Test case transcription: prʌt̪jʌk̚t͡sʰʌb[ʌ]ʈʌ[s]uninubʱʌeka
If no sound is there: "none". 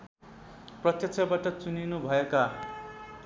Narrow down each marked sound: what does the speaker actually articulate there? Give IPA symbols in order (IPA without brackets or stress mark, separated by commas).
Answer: a, t͡s